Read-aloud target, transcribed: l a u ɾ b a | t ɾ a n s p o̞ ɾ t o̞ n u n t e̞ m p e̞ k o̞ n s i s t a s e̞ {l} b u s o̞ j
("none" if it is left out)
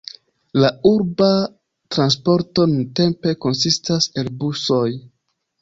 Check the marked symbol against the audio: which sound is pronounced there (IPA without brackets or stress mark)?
l